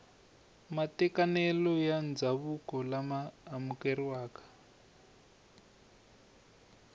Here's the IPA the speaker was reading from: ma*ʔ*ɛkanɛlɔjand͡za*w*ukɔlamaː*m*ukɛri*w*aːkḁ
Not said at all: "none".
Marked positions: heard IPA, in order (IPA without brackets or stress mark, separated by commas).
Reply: t, β, m, w